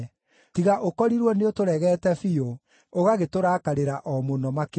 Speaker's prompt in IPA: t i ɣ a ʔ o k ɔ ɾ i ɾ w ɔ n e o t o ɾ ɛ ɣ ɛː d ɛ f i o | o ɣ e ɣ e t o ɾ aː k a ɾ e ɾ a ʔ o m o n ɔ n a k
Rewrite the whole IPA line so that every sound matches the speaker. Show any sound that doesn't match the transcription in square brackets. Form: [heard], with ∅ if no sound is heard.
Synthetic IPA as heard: t i ɣ a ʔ o k ɔ ɾ i ɾ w ɔ n e o t o ɾ ɛ ɣ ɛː [t] ɛ f i o | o ɣ [a] ɣ e t o ɾ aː k a ɾ e ɾ a ʔ [ɔ] m o n ɔ [m] a k